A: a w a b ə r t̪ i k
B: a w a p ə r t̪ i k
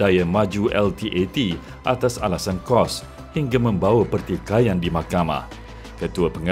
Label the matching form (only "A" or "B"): B